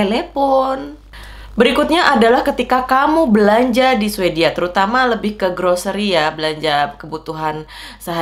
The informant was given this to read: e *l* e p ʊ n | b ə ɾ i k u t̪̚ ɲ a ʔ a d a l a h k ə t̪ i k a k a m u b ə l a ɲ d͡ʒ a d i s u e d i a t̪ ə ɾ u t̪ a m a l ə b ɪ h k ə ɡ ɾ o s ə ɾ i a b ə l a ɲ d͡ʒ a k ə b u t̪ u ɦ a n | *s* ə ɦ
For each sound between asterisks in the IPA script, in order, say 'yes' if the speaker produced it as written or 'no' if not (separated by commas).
yes, yes